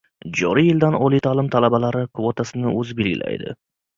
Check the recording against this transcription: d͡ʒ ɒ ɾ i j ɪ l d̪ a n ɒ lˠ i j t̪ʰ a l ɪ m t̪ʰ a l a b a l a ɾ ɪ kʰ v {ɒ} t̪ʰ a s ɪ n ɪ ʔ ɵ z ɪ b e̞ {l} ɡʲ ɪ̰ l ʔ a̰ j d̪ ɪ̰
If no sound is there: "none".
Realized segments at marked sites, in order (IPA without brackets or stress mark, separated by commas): o, l